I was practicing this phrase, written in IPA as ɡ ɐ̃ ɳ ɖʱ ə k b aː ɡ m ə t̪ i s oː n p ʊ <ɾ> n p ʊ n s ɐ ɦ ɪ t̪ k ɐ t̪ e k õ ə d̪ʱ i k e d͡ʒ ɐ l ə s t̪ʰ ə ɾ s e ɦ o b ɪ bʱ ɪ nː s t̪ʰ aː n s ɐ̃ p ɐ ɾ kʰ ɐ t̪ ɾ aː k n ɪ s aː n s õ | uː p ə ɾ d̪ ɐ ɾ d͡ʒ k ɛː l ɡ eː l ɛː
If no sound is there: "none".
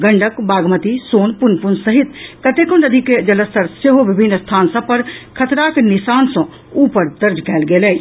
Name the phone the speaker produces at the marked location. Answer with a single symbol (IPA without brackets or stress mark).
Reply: none